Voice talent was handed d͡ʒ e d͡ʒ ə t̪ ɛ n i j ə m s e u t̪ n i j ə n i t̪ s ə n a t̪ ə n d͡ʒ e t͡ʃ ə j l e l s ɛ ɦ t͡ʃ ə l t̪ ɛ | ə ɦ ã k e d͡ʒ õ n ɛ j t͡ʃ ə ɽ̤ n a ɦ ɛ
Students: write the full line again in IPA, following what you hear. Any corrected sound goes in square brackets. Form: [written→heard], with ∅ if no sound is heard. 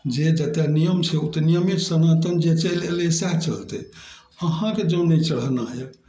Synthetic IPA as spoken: d͡ʒ e d͡ʒ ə t̪ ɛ n i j ə m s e u t̪ n i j ə [n→m] i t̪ s ə n a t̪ ə n d͡ʒ e t͡ʃ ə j l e l s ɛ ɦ t͡ʃ ə l t̪ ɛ | ə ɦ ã k e d͡ʒ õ n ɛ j t͡ʃ ə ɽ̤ n a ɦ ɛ